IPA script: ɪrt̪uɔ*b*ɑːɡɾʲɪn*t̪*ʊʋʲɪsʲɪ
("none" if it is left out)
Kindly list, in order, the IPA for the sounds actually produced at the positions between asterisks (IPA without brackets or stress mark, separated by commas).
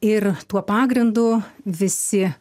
p, d̪